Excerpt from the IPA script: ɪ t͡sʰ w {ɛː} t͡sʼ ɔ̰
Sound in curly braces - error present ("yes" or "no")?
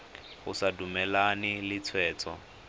no